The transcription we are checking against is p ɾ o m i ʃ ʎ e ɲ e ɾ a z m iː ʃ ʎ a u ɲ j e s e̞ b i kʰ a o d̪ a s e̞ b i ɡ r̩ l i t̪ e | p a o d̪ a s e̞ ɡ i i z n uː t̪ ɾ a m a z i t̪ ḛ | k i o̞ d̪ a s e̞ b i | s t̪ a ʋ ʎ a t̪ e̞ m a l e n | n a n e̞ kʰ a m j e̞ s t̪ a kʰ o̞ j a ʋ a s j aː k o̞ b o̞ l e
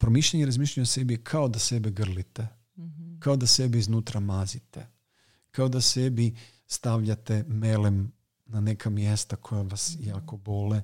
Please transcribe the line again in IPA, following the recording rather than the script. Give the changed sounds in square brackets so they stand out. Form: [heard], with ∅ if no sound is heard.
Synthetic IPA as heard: p ɾ o m i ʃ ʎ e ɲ e ɾ a z m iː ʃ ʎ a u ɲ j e s e̞ b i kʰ a o d̪ a s e̞ b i ɡ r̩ l i t̪ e | [k] a o d̪ a s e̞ [b] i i z n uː t̪ ɾ a m a z i t̪ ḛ | k [a] o̞ d̪ a s e̞ b i | s t̪ a ʋ ʎ a t̪ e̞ m [e] l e [m] | n a n e̞ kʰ a m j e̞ s t̪ a kʰ o̞ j a ʋ a s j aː k o̞ b o̞ l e